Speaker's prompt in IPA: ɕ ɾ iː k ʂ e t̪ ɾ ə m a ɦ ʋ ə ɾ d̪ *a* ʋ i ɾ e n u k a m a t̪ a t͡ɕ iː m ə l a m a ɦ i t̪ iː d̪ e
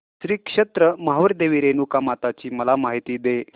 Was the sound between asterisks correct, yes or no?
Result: no